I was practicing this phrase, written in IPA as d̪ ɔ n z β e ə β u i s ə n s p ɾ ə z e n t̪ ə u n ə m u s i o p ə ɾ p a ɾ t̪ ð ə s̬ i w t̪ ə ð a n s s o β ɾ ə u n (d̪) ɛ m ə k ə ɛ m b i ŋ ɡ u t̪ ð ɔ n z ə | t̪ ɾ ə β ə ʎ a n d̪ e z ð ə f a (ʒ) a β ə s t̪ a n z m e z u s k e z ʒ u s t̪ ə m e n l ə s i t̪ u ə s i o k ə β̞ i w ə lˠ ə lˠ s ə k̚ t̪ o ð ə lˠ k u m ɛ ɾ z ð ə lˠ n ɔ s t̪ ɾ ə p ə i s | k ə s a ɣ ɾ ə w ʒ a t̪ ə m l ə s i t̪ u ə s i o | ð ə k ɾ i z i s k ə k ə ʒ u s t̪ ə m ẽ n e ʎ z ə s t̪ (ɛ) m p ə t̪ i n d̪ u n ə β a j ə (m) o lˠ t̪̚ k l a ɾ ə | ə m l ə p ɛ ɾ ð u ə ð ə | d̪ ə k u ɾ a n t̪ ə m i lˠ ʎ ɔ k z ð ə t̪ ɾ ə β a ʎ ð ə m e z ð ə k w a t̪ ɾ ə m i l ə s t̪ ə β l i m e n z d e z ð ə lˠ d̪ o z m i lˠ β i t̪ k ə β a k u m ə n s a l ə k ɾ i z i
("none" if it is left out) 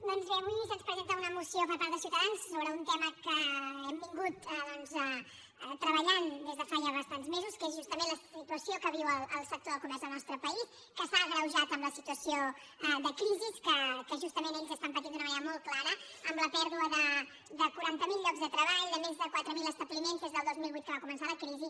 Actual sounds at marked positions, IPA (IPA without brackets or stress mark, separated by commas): t̪, ʒ, a, m